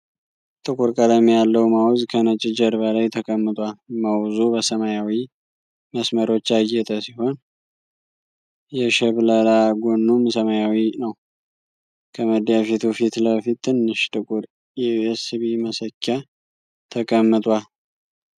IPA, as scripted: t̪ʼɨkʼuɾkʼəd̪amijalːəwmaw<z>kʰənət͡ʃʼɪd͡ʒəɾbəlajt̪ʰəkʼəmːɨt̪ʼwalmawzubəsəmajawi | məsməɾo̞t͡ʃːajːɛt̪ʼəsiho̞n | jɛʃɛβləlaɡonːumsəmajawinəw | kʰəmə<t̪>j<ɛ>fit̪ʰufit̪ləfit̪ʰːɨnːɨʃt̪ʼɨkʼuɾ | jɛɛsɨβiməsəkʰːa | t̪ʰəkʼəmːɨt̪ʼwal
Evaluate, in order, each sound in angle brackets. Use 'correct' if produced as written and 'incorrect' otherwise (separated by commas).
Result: correct, incorrect, incorrect